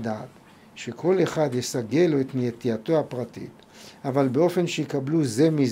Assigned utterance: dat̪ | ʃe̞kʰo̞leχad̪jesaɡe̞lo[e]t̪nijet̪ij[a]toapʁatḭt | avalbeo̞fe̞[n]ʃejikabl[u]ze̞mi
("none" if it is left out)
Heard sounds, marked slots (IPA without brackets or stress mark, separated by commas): e, a, n, u